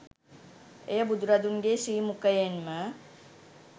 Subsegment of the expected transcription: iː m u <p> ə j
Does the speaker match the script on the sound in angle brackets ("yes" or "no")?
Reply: no